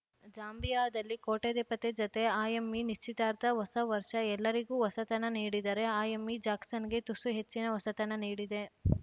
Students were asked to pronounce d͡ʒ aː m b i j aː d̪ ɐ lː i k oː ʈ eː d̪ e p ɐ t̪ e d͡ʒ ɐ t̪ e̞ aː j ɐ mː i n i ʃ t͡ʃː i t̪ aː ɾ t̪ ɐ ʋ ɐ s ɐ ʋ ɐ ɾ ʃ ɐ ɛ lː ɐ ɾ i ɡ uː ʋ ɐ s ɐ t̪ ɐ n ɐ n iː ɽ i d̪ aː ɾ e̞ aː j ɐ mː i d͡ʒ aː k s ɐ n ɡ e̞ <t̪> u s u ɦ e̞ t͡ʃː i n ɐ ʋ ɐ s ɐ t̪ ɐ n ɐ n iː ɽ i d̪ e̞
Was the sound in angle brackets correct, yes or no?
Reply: yes